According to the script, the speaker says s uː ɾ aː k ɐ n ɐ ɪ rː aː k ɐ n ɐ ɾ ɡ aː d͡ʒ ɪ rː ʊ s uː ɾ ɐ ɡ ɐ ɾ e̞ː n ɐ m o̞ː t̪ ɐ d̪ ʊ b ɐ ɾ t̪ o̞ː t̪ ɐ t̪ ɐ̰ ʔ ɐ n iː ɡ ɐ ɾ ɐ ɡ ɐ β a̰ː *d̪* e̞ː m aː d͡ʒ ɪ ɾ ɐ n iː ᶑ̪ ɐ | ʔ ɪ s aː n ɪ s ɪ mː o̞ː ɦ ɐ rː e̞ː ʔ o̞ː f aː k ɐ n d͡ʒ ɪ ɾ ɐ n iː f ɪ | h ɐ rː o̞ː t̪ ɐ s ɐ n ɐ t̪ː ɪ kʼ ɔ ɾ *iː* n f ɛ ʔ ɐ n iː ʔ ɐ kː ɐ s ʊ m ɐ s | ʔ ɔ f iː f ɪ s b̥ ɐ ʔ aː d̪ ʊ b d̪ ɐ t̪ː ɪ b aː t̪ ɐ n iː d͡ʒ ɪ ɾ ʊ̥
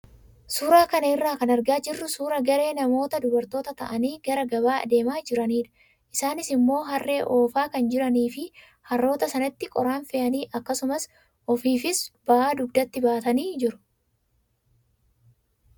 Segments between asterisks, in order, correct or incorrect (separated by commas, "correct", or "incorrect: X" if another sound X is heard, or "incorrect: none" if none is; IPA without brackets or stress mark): correct, incorrect: aː